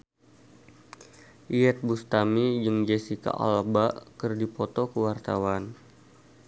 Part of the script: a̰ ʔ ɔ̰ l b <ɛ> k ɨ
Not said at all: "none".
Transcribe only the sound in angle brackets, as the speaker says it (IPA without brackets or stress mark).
a